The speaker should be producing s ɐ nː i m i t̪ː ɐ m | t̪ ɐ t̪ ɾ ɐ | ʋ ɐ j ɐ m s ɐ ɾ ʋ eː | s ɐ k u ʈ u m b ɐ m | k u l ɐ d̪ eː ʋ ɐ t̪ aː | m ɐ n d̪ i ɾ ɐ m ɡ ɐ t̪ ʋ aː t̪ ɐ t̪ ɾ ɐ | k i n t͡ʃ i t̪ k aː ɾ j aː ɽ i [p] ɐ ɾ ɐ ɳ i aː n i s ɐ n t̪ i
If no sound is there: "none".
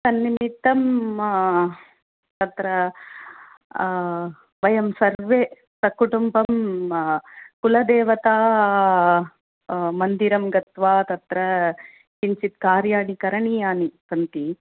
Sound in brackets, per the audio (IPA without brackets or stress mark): k